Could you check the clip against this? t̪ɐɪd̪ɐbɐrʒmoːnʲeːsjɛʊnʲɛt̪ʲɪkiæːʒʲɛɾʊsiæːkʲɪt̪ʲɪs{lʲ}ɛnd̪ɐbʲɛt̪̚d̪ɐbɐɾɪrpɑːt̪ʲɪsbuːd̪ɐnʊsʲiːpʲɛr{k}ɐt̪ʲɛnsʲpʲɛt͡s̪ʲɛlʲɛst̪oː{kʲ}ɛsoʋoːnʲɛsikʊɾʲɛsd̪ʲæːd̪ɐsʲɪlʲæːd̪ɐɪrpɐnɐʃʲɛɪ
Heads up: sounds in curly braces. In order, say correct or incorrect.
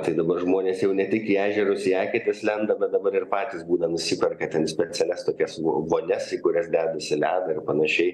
correct, correct, correct

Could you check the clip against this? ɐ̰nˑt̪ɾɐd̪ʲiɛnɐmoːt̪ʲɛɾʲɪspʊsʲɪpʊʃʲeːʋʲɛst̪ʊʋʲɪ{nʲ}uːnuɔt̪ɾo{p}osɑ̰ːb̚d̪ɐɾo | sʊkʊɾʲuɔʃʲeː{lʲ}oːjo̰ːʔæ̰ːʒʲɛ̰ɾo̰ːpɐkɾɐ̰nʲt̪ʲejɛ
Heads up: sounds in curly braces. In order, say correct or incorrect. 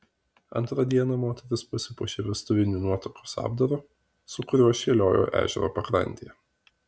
correct, incorrect: k, correct

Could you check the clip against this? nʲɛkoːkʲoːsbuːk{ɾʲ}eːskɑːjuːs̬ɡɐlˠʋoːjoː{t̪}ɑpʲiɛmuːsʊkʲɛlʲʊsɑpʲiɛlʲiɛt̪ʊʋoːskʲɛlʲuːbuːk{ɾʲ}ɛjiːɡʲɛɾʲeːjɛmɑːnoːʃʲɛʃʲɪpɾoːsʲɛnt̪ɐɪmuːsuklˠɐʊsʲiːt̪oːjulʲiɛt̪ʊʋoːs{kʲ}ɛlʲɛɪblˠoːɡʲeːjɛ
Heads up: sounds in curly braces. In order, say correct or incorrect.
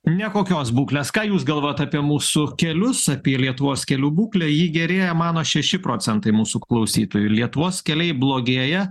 incorrect: lʲ, correct, incorrect: lʲ, correct

